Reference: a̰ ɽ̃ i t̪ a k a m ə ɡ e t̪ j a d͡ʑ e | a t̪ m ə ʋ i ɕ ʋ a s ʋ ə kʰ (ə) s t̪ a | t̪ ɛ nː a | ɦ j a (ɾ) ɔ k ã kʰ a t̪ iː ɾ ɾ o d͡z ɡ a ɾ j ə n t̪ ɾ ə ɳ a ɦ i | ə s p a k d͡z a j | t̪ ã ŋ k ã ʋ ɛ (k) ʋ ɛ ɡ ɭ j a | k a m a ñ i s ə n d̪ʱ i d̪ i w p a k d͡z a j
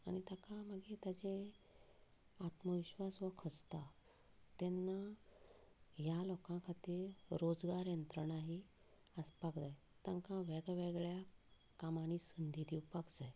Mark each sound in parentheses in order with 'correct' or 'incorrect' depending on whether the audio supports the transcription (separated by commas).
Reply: correct, incorrect, incorrect